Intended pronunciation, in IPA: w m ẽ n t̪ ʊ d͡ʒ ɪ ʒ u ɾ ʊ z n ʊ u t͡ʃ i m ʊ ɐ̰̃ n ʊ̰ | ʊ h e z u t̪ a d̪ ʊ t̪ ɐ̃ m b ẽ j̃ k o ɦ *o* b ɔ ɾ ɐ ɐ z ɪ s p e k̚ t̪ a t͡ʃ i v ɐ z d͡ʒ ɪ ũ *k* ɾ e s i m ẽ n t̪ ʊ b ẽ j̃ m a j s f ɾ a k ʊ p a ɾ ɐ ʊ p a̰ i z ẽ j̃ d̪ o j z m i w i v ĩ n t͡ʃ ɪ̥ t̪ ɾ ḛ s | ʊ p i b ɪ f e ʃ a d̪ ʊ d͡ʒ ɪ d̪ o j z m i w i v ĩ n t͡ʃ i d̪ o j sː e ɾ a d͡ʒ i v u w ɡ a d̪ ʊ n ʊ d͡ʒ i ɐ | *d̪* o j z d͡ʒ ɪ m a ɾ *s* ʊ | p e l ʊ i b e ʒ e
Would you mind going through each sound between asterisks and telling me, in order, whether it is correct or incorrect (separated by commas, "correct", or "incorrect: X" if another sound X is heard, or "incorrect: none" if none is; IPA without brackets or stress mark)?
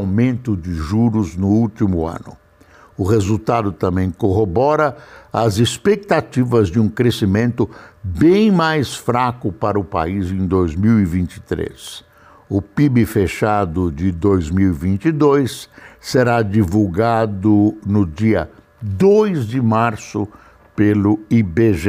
correct, correct, correct, correct